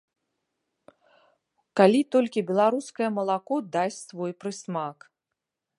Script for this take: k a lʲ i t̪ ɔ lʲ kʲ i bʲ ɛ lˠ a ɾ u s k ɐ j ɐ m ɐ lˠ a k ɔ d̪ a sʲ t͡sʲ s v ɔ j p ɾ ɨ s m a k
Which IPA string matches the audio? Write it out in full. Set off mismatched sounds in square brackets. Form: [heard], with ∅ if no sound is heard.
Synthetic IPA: k a lʲ i t̪ ɔ lʲ kʲ i bʲ ɛ lˠ a ɾ u s k ɐ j ɐ m ɐ lˠ a k ɔ d̪ a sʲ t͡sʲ s v ɔ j p ɾ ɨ s m a k